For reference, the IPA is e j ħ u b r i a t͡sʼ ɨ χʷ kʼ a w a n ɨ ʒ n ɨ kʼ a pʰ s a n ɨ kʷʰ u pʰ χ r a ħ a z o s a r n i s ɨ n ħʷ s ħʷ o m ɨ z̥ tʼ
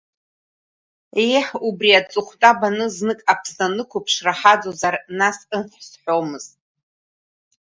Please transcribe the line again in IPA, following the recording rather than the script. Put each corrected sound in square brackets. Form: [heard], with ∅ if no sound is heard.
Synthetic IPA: e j ħ u b r i a t͡sʼ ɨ χʷ [tʼ] a [b] a n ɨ [z] n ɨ kʼ a pʰ s a n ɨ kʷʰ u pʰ [ʂ] r a ħ a [d͡z] o [z] a r n [a] s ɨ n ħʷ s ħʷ o m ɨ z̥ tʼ